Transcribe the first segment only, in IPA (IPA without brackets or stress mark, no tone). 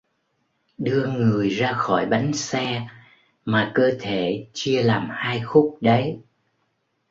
ɗ